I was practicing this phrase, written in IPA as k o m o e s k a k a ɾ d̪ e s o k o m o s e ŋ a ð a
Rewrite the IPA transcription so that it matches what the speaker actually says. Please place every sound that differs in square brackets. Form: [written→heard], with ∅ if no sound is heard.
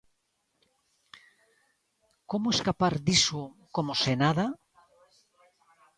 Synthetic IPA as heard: k o m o e s k a [k→p] a ɾ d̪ [e→i] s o k o m o s e [ŋ→n] a ð a